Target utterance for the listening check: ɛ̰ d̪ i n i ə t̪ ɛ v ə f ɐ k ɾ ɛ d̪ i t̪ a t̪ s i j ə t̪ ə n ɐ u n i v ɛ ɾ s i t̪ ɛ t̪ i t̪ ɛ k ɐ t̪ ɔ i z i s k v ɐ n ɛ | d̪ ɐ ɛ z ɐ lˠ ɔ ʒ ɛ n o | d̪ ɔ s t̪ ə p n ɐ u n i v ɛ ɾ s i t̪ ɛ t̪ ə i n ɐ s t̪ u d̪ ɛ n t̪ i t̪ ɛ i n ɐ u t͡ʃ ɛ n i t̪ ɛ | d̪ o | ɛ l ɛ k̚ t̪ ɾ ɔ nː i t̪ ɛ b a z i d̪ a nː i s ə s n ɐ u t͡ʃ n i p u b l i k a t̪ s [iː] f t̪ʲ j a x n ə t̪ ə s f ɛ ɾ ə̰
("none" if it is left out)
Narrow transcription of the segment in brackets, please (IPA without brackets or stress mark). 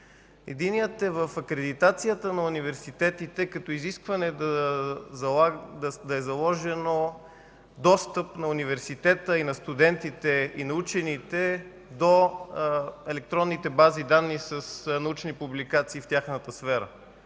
iː